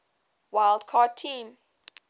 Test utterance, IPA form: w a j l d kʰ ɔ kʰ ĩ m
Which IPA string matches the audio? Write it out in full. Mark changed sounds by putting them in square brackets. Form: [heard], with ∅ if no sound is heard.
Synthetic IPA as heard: w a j l d kʰ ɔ [tʰ] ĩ m